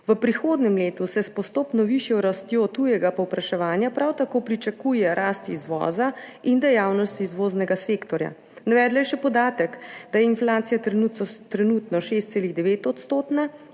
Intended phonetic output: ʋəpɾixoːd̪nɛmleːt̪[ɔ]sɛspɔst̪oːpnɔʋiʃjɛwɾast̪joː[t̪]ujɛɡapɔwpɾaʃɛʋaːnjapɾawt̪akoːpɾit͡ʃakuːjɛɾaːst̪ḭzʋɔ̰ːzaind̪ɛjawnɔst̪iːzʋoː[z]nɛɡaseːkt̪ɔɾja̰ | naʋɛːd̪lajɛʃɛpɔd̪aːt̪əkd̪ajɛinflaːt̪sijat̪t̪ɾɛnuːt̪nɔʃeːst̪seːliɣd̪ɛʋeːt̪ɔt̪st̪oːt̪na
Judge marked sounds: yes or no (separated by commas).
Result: no, yes, yes